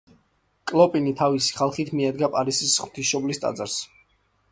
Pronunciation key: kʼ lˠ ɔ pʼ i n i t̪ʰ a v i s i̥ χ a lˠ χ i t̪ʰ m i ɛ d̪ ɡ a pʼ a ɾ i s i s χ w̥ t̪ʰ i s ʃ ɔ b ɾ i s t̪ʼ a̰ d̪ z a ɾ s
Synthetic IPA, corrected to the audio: kʼ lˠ ɔ pʼ i n i t̪ʰ a v i s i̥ χ a lˠ χ i t̪ʰ m i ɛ d̪ ɡ a pʼ a ɾ i s i s χ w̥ t̪ʰ i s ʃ ɔ b l i s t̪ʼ a̰ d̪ z a ɾ s

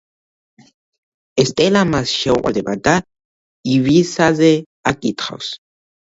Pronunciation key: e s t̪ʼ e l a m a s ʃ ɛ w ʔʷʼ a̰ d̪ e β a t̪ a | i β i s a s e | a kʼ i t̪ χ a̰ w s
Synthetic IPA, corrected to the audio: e s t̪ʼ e l a m a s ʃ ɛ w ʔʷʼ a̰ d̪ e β a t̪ a | i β i s a z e | a kʼ i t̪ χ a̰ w s

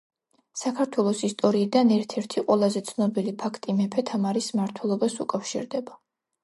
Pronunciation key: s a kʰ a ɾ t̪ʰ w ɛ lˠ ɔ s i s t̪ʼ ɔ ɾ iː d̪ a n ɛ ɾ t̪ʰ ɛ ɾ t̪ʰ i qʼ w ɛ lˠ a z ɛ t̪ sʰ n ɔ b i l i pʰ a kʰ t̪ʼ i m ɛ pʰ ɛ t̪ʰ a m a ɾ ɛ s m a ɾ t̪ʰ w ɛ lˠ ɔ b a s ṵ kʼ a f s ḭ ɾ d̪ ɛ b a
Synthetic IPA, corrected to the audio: s a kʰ a ɾ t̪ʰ w ɛ lˠ ɔ s i s t̪ʼ ɔ ɾ iː d̪ a n ɛ ɾ t̪ʰ ɛ ɾ t̪ʰ i qʼ w ɛ lˠ a z ɛ t̪ sʰ n ɔ b i l i pʰ a kʰ t̪ʼ i m ɛ pʰ ɛ t̪ʰ a m a ɾ i s m a ɾ t̪ʰ w ɛ lˠ ɔ b a s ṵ kʼ a f ʃ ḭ ɾ d̪ ɛ b a

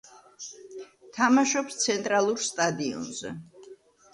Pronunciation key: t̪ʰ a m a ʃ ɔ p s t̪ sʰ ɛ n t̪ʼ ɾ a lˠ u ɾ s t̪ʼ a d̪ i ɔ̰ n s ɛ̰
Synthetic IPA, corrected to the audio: t̪ʰ a m a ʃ ɔ p s t̪ sʰ ɛ n t̪ʼ ɾ a lˠ u ɾ s t̪ʼ a d̪ i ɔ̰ n z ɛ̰

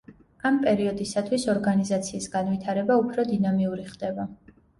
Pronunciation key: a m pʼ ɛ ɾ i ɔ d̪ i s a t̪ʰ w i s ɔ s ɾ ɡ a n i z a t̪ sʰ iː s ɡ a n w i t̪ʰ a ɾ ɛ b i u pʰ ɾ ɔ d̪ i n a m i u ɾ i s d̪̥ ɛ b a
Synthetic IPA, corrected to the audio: a m pʼ ɛ ɾ i ɔ d̪ i s a t̪ʰ w i s ɔ ɾ ɡ a n i z a t̪ sʰ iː s ɡ a n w i t̪ʰ a ɾ ɛ b a u pʰ ɾ ɔ d̪ i n a m i u ɾ i χ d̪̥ ɛ b a

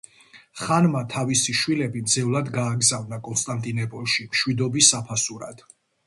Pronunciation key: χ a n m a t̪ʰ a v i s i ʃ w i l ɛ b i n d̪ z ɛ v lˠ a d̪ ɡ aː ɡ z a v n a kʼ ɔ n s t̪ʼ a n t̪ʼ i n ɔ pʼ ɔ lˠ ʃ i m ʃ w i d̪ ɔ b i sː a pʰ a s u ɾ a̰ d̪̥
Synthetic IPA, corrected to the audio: χ a n m a t̪ʰ a v i s i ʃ w i l ɛ b i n d̪ z ɛ v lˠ a d̪ ɡ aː ɡ z a v n a kʼ ɔ n s t̪ʼ a n t̪ʼ i n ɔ pʼ ɔ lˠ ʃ i m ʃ w i d̪ ɔ b i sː a pʰ a s u ɾ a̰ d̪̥

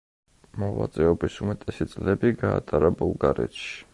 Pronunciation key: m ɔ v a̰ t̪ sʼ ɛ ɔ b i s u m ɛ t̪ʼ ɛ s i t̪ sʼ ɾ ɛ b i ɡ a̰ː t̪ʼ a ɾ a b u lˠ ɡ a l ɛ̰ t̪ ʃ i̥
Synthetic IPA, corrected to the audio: m ɔ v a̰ t̪ sʼ ɛ ɔ b i s u m ɛ t̪ʼ ɛ s i t̪ sʼ l ɛ b i ɡ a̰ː t̪ʼ a ɾ a b u lˠ ɡ a ɾ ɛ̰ t̪ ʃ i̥

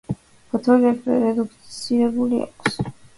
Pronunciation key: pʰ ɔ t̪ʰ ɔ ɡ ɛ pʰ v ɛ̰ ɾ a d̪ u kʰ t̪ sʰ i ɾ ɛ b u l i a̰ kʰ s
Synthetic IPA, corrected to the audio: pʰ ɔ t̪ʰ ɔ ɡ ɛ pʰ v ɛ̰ ɾ ɛ d̪ u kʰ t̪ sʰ i ɾ ɛ b u l i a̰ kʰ s

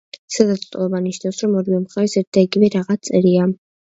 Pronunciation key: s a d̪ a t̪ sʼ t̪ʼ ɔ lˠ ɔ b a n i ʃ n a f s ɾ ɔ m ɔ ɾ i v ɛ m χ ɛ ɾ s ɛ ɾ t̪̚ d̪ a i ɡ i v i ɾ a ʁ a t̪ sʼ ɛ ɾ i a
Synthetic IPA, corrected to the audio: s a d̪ a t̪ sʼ t̪ʼ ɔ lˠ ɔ b a n i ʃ n a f s ɾ ɔ m ɔ ɾ i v ɛ m χ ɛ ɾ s ɛ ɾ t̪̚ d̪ a i ɡ i v ɛ ɾ a ʁ a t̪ sʼ ɛ ɾ i a

